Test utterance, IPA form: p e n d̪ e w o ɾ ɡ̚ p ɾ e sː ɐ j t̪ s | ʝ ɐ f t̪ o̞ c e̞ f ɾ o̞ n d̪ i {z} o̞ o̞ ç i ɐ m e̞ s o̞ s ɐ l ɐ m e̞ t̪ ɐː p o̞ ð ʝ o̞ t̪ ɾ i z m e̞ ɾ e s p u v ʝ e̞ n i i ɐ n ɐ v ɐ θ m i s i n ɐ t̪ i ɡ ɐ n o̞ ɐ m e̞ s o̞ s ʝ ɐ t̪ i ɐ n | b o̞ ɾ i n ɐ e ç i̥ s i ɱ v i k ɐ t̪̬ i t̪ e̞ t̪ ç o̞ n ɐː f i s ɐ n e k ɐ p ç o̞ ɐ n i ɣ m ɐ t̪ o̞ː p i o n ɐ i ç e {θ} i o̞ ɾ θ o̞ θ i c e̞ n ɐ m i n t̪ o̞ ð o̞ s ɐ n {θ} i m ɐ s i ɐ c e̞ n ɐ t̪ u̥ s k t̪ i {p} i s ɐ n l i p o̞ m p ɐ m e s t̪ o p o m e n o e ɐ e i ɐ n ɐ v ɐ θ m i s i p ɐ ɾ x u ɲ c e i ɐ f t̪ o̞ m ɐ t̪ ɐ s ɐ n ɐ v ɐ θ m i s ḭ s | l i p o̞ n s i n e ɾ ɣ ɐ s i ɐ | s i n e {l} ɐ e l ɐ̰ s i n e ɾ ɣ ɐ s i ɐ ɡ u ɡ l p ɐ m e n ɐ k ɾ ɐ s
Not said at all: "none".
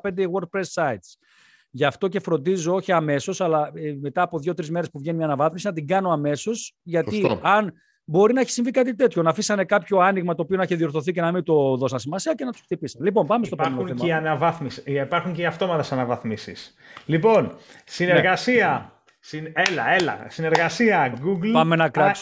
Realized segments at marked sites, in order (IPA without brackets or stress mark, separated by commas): z, ð, s, p, l